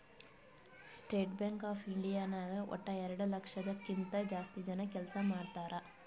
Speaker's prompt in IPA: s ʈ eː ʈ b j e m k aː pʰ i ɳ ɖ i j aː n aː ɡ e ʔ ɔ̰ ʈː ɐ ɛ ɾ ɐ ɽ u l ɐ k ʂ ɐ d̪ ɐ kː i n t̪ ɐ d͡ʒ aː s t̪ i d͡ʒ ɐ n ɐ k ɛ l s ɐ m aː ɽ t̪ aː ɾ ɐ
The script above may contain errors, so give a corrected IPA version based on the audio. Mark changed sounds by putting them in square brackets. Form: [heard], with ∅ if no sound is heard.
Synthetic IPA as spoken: s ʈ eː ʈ b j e [ŋ] k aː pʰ i ɳ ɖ i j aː n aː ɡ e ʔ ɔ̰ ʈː ɐ ɛ ɾ ɐ ɽ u l ɐ k ʂ ɐ d̪ ɐ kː i n t̪ ɐ d͡ʒ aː s t̪ i d͡ʒ ɐ n ɐ k ɛ l s ɐ m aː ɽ t̪ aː ɾ ɐ